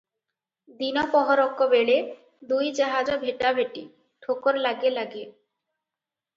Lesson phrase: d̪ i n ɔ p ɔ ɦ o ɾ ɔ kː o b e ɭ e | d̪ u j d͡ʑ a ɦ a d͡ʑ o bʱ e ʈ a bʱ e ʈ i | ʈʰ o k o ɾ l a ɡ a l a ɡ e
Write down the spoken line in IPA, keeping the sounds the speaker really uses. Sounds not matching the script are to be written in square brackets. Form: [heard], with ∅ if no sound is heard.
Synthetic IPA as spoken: d̪ i n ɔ p ɔ ɦ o ɾ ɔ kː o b e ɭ e | d̪ u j d͡ʑ a ɦ a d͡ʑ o bʱ e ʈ a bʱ e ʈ i | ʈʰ o k o ɾ l a ɡ [e] l a ɡ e